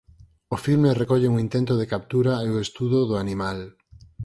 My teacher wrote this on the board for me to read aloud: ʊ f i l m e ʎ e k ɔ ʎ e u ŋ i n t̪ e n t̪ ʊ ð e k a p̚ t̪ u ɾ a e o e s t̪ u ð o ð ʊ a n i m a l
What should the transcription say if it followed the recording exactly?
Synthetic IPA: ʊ f i l m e r e k ɔ ʎ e u ŋ i n t̪ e n t̪ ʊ ð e k a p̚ t̪ u ɾ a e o e s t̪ u ð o ð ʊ a n i m a l